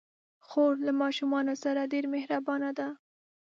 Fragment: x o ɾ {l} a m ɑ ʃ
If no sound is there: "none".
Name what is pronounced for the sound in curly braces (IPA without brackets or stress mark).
l